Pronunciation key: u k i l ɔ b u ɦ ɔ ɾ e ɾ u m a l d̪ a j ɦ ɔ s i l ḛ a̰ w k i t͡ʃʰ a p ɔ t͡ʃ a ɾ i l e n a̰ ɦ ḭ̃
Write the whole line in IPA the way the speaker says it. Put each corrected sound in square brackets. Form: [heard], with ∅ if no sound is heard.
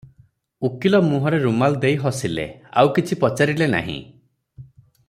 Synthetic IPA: u k i l ɔ [m] u ɦ ɔ ɾ e ɾ u m a l d̪ [e] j ɦ ɔ s i l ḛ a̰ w k i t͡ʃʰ [i] p ɔ t͡ʃ a ɾ i l e n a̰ ɦ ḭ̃